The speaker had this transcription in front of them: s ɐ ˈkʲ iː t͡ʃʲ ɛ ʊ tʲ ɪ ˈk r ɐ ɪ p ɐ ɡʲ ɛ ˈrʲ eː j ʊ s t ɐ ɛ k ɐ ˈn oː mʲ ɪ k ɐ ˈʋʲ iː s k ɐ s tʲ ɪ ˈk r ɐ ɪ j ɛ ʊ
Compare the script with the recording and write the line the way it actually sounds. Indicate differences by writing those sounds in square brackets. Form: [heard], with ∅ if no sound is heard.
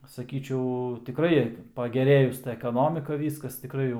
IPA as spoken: s ɐ ˈkʲ iː t͡ʃʲ ɛ ʊ tʲ ɪ ˈk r ɐ ɪ p ɐ ɡʲ ɛ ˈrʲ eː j ʊ s t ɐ ɛ k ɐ ˈn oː mʲ ɪ k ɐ ˈʋʲ iː s k ɐ s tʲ ɪ ˈk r ɐ ɪ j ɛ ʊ